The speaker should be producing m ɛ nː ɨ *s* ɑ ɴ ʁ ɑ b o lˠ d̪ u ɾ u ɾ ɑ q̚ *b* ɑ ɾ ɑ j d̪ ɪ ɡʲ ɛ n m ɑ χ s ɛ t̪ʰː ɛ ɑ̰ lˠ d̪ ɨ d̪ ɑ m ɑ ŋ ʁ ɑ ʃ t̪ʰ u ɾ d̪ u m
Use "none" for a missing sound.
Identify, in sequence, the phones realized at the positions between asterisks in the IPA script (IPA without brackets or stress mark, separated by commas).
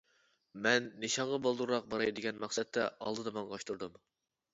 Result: ʃ, b